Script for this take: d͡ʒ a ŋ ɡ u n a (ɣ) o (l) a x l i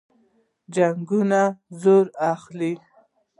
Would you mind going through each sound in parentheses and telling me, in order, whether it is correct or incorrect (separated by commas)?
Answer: incorrect, incorrect